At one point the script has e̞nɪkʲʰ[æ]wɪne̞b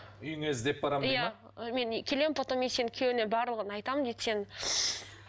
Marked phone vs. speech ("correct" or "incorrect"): incorrect